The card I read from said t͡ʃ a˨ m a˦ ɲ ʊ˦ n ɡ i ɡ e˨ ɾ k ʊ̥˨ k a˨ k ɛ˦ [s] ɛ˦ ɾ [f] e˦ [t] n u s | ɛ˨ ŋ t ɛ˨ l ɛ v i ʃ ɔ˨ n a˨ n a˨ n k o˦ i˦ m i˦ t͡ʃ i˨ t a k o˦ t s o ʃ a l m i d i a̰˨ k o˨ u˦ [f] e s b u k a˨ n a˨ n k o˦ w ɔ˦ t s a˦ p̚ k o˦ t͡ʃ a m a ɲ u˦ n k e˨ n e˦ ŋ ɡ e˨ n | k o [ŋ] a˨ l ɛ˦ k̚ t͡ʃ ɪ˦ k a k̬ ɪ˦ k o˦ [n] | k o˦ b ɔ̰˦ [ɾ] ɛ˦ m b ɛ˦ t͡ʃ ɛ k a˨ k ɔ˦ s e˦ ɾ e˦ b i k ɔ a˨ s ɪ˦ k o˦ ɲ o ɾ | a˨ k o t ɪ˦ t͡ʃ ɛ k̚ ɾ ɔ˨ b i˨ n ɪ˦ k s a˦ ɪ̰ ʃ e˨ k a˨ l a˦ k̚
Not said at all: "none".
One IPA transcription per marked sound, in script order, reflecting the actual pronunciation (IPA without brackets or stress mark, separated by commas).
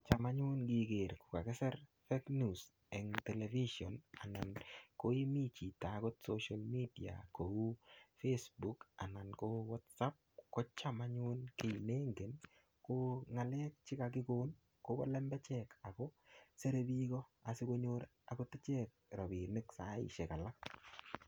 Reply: s, f, k, f, ŋ, n, l